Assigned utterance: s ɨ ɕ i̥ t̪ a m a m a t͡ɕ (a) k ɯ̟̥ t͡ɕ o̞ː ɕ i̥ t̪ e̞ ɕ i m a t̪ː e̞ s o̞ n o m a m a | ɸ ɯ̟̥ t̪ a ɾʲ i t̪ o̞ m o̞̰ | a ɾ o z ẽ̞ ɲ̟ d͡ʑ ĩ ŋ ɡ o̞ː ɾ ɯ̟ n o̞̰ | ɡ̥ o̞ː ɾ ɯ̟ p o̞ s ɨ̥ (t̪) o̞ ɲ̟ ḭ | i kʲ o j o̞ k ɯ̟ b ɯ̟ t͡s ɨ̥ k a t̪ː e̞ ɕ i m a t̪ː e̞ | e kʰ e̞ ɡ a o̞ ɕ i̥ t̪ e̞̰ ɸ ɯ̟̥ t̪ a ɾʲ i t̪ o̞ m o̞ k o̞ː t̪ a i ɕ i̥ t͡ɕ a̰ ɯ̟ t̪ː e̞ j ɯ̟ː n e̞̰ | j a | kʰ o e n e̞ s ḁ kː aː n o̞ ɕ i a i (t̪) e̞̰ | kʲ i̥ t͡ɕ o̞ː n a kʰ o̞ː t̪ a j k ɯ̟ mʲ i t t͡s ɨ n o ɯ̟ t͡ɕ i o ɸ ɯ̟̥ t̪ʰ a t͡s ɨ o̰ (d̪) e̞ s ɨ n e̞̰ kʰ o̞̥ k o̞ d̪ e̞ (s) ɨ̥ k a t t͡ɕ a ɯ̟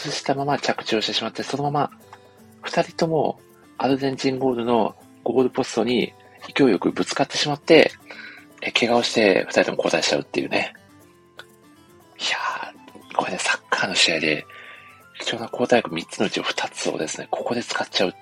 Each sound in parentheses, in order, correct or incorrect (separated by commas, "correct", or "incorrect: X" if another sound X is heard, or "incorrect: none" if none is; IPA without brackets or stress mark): correct, correct, incorrect: d̪, correct, incorrect: t͡s